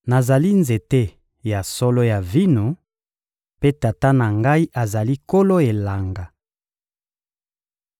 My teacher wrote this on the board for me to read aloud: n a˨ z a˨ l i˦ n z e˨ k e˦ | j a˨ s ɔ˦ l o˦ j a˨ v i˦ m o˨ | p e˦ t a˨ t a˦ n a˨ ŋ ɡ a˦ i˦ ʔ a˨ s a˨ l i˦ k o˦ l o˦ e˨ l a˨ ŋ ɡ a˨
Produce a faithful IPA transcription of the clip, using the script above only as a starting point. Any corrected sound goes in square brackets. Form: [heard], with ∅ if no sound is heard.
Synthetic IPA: n a˨ z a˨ l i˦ n z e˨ [t] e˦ | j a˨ s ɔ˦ l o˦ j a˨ v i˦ [n] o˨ | p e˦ t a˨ t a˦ n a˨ ŋ ɡ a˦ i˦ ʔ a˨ [z] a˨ l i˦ k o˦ l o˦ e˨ l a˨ ŋ ɡ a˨